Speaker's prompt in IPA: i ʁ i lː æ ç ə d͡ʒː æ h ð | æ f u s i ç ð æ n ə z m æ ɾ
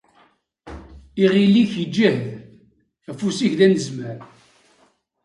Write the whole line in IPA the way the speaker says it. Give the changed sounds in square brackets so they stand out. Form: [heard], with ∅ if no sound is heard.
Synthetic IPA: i ʁ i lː [i] ç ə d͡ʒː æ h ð | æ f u s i ç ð æ n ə z m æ ɾ